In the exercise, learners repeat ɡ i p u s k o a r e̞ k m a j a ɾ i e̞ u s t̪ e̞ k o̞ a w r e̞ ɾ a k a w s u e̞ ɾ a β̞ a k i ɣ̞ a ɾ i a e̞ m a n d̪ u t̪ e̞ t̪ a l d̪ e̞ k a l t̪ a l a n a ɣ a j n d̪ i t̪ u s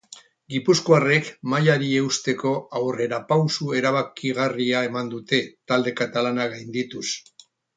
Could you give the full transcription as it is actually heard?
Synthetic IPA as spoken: ɡ i p u s k o a r e̞ k m a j a ɾ i e̞ u s t̪ e̞ k o̞ a w r e̞ ɾ a p a w s u e̞ ɾ a β̞ a k i ɣ̞ a r i a e̞ m a n d̪ u t̪ e̞ t̪ a l d̪ e̞ k a t̪ a l a n a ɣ a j n d̪ i t̪ u s